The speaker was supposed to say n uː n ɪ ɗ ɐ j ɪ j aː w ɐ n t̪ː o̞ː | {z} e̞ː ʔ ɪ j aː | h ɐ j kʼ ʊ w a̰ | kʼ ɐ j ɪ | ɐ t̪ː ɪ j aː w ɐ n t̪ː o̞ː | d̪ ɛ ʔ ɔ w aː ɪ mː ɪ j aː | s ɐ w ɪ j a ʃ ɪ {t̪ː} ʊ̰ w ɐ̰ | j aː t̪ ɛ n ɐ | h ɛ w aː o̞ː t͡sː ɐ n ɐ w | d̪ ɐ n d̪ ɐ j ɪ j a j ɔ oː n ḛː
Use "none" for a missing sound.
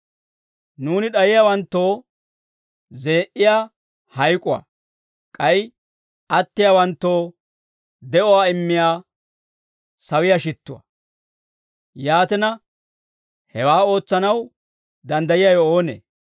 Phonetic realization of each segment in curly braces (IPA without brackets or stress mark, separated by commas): z, t̪ː